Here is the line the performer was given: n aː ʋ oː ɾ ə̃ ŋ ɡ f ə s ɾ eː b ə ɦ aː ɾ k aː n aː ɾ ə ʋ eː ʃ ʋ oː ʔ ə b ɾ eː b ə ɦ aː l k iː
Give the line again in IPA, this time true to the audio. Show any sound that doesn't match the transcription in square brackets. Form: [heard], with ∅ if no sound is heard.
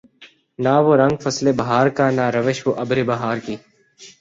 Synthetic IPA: n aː ʋ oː ɾ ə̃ ŋ ɡ f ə s [l] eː b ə ɦ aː ɾ k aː n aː ɾ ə ʋ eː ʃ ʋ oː ʔ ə b ɾ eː b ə ɦ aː [ɾ] k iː

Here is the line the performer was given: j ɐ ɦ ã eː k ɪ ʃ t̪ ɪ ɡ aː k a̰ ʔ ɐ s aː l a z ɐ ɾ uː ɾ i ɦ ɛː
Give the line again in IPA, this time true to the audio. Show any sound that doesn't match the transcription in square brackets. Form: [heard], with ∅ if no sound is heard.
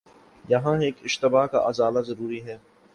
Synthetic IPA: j ɐ ɦ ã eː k ɪ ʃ t̪ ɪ [b] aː k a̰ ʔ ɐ [z] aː l a z ɐ ɾ uː ɾ i ɦ ɛː

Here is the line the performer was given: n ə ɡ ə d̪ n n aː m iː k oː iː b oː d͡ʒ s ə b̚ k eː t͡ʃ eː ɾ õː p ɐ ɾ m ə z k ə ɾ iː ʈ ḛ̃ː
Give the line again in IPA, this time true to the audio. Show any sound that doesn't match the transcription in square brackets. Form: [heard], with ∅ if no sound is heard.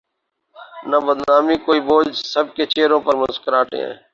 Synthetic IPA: n ə [b] ə d̪ n n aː m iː k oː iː b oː d͡ʒ s ə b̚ k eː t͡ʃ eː ɾ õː p [ə] ɾ m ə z k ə ɾ [aː] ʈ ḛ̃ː

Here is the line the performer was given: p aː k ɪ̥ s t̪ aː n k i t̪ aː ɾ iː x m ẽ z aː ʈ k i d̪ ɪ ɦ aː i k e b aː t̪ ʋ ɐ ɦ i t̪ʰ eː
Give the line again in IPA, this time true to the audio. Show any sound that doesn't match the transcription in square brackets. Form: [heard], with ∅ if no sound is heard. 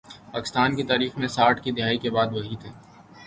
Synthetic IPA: p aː k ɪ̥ s t̪ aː n k i t̪ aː ɾ iː x m ẽ [s] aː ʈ k i d̪ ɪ ɦ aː i k e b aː [d̪] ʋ ɐ ɦ i t̪ʰ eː

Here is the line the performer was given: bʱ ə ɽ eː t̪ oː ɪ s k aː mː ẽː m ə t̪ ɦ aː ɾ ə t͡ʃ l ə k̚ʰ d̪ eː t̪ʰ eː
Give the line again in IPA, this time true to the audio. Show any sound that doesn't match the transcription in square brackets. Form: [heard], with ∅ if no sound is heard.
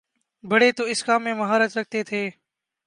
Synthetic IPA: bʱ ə ɽ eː t̪ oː ɪ s k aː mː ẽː m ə [∅] ɦ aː ɾ ə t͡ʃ [ɾ] ə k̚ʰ [t̪] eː t̪ʰ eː

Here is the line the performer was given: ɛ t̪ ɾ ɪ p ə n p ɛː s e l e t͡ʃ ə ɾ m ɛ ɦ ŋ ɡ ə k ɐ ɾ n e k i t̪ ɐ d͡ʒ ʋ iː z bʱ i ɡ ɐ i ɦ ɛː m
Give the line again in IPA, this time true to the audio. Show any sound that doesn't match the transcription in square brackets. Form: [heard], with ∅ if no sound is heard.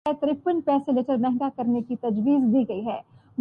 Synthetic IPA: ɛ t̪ ɾ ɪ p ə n p ɛː s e l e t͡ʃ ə ɾ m ɛ ɦ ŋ ɡ [a] k ɐ ɾ n e k i t̪ ɐ d͡ʒ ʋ iː z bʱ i ɡ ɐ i ɦ ɛː m

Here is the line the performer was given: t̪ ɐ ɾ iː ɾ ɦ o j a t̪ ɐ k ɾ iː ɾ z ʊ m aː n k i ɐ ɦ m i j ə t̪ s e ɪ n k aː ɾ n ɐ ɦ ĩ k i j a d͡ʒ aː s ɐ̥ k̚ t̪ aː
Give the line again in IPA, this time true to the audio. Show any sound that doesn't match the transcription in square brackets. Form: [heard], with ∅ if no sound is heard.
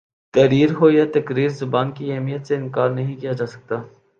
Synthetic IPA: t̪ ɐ ɾ iː ɾ ɦ o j a t̪ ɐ k ɾ iː ɾ z ʊ [b] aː n k i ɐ ɦ m i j ə t̪ s e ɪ n k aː ɾ n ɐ ɦ ĩ k i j a d͡ʒ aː s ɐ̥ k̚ t̪ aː

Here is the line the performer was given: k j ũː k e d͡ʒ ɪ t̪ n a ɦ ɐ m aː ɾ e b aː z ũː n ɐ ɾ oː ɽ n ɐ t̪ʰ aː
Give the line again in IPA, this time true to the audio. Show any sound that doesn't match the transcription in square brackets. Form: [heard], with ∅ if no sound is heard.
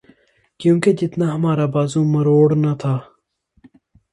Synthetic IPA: k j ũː k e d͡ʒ ɪ t̪ n a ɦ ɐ m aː ɾ [a] b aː z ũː [m] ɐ ɾ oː ɽ n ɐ t̪ʰ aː

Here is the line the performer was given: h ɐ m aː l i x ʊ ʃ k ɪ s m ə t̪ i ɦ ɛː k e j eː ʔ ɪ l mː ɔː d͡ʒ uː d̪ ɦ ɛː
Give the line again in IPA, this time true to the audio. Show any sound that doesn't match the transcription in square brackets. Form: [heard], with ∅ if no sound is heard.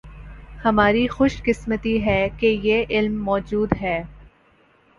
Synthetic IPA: h ɐ m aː [ɾ] i x ʊ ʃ k ɪ s m ə t̪ i ɦ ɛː k e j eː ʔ ɪ l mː ɔː d͡ʒ uː d̪ ɦ ɛː

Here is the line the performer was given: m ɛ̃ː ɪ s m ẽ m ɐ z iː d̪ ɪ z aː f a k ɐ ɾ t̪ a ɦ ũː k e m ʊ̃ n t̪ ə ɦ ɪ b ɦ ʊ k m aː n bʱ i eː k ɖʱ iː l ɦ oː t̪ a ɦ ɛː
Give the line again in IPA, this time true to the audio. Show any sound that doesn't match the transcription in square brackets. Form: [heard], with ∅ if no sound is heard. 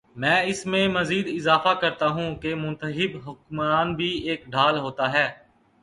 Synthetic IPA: m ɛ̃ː ɪ s m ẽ m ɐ z iː d̪ ɪ z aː f a k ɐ ɾ t̪ a ɦ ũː k e m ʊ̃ n t̪ ə ɦ ɪ b ɦ ʊ k m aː n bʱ i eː k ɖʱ [aː] l ɦ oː t̪ a ɦ ɛː

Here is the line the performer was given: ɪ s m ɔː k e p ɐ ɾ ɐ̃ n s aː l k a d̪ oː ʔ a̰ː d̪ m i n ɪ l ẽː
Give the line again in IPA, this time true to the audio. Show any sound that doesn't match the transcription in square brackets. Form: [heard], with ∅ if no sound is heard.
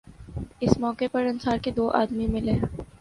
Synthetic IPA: ɪ s m ɔː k e p ɐ ɾ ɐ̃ n s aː [ɾ] k [e] d̪ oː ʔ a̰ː d̪ m i [m] ɪ l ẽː

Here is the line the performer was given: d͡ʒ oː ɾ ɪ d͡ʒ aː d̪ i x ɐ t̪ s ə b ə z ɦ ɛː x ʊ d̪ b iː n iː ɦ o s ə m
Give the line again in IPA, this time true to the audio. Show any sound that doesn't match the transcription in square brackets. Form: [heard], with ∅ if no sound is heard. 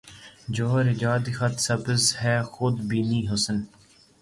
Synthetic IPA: d͡ʒ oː ɾ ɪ d͡ʒ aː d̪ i x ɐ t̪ s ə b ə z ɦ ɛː x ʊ d̪ b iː n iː ɦ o s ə [n]

